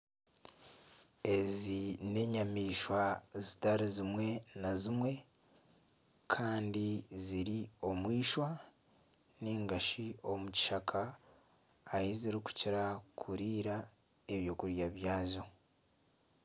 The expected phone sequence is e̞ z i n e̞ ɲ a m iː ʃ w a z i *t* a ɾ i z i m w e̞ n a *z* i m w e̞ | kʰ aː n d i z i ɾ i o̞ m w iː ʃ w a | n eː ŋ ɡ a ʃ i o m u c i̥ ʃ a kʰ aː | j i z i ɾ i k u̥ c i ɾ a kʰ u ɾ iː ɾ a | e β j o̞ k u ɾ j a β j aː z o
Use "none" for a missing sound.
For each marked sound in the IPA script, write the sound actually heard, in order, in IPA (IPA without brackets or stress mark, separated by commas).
t, z